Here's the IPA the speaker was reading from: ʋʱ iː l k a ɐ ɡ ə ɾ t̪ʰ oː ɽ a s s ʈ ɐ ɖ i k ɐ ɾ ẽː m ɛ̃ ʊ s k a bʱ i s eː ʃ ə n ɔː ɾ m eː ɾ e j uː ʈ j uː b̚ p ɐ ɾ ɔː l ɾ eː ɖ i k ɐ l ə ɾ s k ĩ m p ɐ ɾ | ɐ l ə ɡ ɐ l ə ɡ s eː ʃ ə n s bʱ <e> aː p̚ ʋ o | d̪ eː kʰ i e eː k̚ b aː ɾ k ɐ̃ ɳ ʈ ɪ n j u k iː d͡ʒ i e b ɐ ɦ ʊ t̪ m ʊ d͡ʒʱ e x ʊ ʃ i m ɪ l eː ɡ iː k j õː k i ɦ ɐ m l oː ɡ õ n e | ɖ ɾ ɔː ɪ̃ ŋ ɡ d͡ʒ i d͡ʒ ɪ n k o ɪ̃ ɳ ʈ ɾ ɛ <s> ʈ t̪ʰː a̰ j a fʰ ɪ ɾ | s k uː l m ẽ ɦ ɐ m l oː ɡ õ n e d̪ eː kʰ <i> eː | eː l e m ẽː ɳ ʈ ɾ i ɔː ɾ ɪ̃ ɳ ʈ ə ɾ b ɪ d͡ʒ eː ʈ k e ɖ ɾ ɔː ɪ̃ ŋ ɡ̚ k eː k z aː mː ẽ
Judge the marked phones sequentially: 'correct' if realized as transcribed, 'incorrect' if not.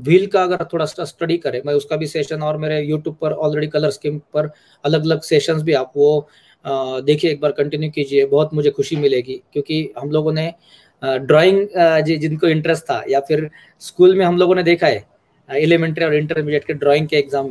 incorrect, correct, incorrect

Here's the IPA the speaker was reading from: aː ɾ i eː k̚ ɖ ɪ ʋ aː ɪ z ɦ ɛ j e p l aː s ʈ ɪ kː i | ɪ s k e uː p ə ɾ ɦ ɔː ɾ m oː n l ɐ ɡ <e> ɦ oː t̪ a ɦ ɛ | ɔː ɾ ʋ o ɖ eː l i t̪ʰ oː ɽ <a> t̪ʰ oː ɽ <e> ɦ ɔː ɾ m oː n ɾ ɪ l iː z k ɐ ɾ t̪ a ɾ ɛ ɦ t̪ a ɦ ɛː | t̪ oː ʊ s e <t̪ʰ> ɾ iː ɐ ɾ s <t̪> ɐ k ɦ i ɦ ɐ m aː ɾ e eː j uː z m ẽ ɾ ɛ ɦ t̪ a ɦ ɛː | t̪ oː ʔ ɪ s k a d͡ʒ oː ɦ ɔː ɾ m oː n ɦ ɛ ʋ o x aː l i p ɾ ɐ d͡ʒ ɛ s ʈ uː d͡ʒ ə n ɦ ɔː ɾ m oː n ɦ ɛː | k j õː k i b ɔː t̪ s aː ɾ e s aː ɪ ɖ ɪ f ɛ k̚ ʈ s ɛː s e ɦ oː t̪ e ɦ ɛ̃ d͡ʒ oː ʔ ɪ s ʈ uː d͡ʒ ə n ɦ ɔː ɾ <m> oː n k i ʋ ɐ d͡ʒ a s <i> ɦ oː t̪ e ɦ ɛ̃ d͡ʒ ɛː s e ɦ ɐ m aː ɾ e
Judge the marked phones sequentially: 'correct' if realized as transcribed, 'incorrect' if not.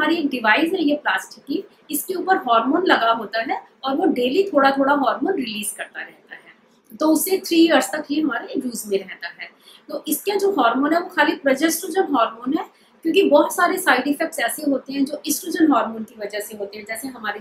incorrect, correct, incorrect, correct, correct, correct, incorrect

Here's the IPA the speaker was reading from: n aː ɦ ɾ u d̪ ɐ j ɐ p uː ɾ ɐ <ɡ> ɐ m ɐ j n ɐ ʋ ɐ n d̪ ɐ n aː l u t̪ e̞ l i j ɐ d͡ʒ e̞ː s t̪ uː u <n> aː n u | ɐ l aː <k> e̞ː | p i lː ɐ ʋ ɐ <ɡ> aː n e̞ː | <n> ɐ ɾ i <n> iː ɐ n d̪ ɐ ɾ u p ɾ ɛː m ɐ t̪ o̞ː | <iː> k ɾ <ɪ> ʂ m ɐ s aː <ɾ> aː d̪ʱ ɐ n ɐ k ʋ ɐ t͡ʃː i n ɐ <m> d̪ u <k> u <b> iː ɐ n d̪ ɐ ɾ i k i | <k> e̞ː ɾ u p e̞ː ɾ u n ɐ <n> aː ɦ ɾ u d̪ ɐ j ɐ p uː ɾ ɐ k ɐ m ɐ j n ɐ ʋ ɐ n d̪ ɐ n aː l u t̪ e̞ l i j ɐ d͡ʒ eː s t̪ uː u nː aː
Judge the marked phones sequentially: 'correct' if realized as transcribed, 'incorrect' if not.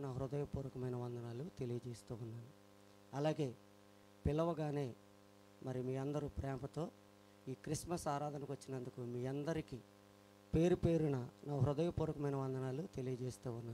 incorrect, incorrect, incorrect, correct, incorrect, incorrect, correct, incorrect, correct, incorrect, correct, incorrect, incorrect, correct

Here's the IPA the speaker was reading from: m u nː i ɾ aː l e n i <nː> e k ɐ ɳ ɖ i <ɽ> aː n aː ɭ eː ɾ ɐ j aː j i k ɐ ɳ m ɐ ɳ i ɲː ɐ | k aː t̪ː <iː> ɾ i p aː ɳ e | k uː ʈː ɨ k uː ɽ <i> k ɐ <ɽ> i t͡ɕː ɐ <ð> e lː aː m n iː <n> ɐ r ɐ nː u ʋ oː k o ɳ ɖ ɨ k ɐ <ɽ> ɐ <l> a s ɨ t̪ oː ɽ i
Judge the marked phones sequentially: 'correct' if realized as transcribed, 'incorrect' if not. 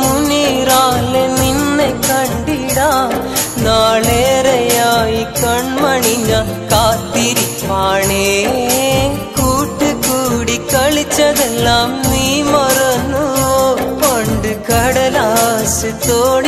correct, correct, incorrect, correct, incorrect, correct, incorrect, correct, correct

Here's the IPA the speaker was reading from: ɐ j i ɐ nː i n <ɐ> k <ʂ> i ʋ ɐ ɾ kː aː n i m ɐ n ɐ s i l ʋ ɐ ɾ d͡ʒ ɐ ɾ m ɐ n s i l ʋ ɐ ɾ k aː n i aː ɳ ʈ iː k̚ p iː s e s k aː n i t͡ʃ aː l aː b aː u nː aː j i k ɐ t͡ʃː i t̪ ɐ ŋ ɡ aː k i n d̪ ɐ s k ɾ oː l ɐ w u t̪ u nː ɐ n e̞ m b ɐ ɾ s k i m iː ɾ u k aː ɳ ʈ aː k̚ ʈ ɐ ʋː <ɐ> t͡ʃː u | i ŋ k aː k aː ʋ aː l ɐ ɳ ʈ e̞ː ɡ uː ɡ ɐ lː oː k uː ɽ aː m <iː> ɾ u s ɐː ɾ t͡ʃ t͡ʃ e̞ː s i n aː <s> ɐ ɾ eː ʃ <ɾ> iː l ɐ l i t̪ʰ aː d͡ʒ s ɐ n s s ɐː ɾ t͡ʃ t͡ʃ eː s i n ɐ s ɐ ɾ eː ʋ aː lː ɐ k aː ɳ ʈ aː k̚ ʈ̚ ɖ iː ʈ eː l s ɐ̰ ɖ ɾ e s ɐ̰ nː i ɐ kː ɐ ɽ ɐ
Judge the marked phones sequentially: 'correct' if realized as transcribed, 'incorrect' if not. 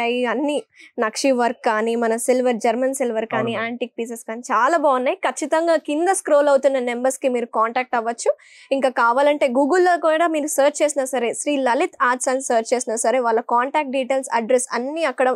correct, correct, correct, correct, correct, correct

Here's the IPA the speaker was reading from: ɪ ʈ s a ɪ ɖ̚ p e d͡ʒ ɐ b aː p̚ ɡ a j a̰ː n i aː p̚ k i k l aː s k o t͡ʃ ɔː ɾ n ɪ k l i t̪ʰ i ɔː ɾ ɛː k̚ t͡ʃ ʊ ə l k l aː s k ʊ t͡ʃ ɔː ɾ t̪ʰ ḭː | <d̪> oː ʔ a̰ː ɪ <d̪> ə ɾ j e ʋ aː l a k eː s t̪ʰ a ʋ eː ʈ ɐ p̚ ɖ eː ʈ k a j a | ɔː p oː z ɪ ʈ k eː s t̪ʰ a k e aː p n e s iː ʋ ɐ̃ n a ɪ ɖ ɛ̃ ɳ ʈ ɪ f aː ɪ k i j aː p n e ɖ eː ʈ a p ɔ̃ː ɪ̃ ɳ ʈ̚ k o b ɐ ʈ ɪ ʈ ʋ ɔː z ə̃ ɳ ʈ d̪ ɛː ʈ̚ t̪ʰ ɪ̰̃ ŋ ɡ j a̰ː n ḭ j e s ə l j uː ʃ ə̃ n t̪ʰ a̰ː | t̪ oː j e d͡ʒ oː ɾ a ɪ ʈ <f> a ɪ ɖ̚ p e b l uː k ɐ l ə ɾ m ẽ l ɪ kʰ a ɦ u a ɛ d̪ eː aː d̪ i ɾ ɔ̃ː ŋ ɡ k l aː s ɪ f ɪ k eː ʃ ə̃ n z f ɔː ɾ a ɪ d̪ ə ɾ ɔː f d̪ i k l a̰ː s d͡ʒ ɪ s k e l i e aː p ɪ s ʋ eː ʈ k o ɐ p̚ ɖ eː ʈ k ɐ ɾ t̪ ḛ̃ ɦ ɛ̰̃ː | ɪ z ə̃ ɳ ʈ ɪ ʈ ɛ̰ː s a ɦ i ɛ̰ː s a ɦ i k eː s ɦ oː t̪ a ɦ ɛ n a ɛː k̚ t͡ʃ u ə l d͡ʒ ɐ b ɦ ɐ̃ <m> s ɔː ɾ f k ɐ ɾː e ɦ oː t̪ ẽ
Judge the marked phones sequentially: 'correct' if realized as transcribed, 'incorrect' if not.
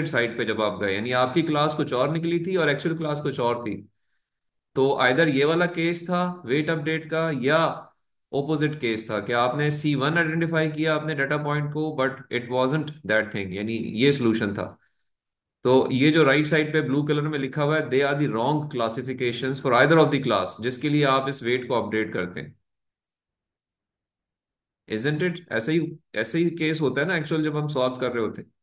incorrect, correct, incorrect, correct

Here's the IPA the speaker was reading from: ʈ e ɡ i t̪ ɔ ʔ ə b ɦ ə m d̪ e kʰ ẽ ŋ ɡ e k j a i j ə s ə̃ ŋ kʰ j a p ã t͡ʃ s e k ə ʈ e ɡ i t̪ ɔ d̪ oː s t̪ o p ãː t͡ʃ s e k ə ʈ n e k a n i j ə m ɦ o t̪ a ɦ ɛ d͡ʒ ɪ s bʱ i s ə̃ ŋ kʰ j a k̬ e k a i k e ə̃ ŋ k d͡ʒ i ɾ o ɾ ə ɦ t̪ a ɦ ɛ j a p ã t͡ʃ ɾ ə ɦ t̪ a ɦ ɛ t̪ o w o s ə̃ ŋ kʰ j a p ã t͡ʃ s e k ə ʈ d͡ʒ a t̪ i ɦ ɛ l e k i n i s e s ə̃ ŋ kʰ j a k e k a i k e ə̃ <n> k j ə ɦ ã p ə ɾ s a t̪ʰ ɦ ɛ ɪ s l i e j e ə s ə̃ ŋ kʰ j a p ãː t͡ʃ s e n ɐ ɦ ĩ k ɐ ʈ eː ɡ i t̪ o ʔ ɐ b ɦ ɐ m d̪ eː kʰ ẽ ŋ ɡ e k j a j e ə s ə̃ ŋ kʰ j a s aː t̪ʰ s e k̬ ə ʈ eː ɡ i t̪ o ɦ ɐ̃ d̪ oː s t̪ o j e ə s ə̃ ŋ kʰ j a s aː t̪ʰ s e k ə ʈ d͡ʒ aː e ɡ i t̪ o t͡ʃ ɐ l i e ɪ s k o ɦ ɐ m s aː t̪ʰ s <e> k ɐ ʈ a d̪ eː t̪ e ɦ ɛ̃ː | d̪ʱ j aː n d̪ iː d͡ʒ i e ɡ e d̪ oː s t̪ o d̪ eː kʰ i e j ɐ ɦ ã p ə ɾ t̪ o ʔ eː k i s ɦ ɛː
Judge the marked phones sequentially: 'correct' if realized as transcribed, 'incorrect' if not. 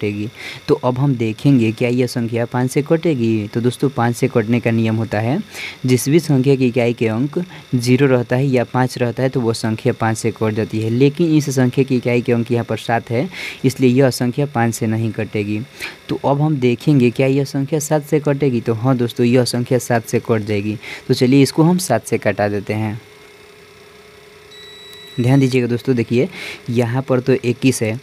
incorrect, correct

